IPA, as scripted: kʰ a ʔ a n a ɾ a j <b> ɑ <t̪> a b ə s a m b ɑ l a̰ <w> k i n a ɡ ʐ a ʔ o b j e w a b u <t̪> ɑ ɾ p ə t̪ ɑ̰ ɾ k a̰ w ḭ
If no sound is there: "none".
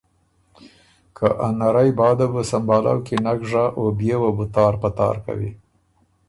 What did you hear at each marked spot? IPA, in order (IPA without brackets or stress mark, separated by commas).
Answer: b, d̪, w, t̪